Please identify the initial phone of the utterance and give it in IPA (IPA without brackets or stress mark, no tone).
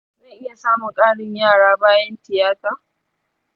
z